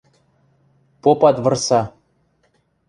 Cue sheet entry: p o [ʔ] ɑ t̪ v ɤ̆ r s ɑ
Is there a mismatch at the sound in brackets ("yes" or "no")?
yes